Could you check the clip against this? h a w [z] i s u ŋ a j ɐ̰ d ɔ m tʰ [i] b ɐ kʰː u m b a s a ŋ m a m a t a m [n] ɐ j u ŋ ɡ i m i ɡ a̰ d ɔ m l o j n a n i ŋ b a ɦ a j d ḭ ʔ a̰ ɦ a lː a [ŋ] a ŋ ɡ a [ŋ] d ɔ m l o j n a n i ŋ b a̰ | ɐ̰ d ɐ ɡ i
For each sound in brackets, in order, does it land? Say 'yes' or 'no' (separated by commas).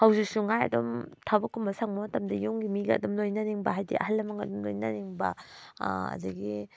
yes, no, no, no, no